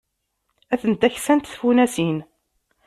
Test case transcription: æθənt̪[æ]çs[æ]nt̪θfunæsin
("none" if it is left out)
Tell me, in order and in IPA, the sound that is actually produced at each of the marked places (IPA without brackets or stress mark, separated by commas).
æ, æ